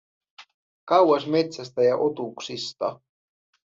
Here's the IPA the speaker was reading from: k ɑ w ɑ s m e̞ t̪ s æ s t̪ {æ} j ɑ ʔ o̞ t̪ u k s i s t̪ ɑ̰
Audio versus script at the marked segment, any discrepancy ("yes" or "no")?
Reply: no